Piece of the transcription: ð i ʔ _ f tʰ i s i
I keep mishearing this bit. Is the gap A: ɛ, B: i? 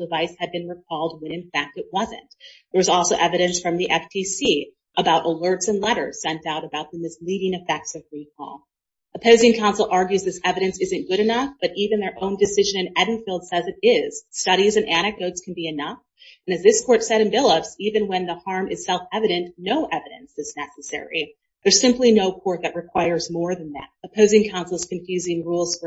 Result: A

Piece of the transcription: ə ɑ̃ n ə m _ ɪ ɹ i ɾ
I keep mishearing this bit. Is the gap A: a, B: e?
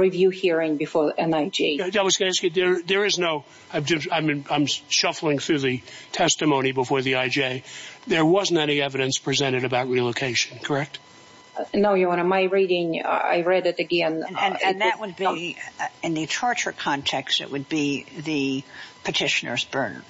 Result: A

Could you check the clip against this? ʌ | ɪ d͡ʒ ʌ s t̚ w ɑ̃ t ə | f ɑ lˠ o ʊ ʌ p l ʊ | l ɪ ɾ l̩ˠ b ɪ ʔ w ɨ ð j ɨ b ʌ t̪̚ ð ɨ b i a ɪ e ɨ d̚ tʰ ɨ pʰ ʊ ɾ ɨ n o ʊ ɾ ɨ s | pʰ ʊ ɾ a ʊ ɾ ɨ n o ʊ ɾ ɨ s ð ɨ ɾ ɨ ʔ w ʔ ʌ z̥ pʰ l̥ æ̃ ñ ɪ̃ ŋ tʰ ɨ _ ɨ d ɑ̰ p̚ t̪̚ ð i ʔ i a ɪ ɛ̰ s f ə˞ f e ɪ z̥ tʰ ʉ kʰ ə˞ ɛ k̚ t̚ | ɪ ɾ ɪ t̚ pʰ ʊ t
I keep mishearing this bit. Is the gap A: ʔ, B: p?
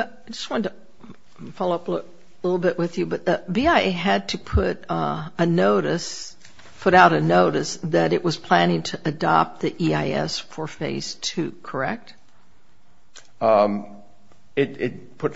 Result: A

